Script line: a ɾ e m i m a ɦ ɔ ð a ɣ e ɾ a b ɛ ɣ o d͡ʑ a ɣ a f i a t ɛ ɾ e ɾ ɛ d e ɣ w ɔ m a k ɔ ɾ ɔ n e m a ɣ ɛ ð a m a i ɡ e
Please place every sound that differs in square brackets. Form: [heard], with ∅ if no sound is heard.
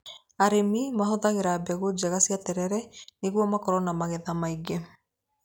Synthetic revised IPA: a ɾ e m i m a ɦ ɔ ð a ɣ e ɾ a b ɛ ɣ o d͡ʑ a ɣ a [s] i a t ɛ ɾ [ɛ] ɾ ɛ [n] e ɣ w ɔ m a k ɔ ɾ ɔ n [a] m a ɣ ɛ ð a m a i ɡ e